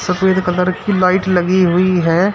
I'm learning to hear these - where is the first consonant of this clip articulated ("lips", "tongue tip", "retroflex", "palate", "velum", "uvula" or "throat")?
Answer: tongue tip